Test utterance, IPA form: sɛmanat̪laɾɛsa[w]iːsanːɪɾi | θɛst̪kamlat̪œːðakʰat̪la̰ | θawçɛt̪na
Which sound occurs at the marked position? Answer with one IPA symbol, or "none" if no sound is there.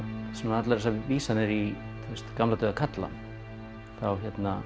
v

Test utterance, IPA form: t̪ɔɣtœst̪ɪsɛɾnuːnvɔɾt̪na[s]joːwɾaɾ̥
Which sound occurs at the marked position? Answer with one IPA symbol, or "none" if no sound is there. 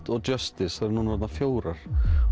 f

